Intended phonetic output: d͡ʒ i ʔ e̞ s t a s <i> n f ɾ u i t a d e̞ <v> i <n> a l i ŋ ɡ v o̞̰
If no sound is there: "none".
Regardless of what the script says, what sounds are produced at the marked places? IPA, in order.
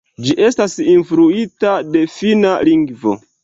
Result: i, f, n

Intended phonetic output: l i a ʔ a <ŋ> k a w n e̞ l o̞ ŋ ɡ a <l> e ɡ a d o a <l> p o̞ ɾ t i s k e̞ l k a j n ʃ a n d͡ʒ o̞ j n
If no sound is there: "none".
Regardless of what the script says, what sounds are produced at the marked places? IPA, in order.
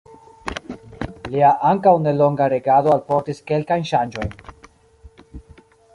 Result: ŋ, ɾ, l

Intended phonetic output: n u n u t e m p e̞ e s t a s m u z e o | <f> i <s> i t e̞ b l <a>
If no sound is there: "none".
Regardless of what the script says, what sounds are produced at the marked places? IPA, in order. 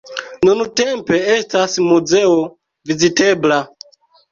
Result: v, z, a

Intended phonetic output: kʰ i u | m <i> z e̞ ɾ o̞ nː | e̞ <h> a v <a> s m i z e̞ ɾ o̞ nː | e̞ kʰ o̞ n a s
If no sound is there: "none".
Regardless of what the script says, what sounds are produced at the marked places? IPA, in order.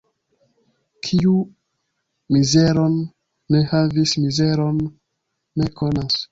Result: i, h, i

